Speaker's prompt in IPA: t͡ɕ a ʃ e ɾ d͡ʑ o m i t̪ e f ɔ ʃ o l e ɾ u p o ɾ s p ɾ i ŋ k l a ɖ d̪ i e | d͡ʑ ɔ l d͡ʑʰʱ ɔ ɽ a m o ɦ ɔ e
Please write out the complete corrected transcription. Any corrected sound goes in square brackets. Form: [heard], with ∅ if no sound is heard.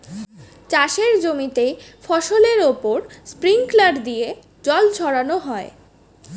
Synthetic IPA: t͡ɕ a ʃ e ɾ d͡ʑ o m i t̪ e f ɔ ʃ o l e ɾ [o] p o ɾ s p ɾ i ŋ k l a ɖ d̪ i e | d͡ʑ ɔ l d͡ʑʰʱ ɔ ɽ a [n] o ɦ ɔ e

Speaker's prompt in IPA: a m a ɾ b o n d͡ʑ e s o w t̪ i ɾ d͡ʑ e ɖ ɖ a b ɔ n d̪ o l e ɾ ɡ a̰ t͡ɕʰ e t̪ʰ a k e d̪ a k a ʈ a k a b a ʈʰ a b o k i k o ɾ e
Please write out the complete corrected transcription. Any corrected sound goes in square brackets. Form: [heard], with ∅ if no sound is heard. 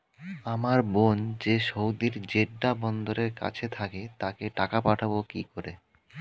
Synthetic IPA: a m a ɾ b o n d͡ʑ e [ʃ] o w [d̪] i ɾ d͡ʑ e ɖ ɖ a b ɔ n d̪ o [ɾ] e ɾ [k] a̰ t͡ɕʰ e t̪ʰ a k e [t̪] a k [e] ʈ a k a [p] a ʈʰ a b o k i k o ɾ e

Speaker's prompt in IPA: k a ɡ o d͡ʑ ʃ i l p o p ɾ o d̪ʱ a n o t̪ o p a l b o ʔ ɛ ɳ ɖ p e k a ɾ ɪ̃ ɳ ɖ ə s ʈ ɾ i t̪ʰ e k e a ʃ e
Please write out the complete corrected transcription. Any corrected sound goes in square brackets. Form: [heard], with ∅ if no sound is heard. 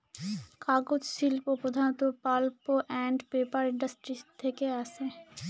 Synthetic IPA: k a ɡ o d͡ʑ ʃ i l p o p ɾ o d̪ʱ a n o t̪ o p a l [p] o ʔ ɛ ɳ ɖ p e [p] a ɾ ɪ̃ ɳ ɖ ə s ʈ ɾ i t̪ʰ e k e a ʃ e

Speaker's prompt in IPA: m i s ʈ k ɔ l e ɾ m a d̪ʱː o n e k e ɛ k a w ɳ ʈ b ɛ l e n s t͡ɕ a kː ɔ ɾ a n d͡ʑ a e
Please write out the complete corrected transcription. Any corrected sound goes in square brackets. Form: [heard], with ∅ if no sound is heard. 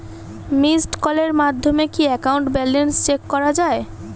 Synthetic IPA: m i s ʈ k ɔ l e ɾ m a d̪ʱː o [m] e k [i] ɛ k a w ɳ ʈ b ɛ l e n s t͡ɕ [e] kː ɔ ɾ a [∅] d͡ʑ a e

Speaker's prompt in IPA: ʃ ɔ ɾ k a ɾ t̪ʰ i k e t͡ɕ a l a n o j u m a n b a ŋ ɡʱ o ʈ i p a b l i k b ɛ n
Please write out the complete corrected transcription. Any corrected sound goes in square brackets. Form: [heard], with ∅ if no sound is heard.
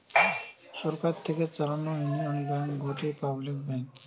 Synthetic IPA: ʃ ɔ ɾ k a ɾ t̪ʰ [e] k e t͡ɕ a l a n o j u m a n b a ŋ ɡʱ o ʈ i p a b l i k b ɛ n

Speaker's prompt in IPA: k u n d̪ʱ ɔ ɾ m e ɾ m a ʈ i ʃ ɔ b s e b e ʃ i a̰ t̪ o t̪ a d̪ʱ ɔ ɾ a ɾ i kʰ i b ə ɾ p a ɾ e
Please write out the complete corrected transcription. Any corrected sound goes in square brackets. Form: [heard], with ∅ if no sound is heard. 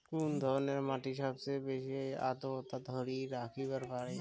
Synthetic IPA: k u n d̪ʱ ɔ ɾ [n] e ɾ m a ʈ i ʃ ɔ b s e b e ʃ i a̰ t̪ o t̪ a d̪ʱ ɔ ɾ [i] ɾ [a] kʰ i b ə ɾ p a ɾ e

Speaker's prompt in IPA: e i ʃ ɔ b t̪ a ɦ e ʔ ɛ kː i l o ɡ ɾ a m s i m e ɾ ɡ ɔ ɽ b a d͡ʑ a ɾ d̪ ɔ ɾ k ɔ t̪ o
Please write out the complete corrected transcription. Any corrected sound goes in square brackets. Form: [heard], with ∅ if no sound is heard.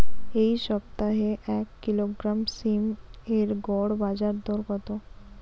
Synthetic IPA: e i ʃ ɔ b t̪ a ɦ e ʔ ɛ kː i l o ɡ ɾ a m s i m e ɾ ɡ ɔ ɽ b a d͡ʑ a ɾ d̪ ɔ ɾ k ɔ t̪ o

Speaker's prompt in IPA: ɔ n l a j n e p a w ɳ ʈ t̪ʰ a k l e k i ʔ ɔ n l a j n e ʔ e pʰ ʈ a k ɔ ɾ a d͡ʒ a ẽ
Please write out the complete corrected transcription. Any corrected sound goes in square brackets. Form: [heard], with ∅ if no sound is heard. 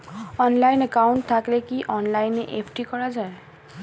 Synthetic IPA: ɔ n l a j n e [k] a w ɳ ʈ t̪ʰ a k l e k i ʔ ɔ n l a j n e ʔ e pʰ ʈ [i] k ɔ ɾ a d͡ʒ a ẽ

